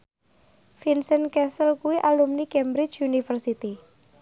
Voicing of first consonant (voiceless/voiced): voiceless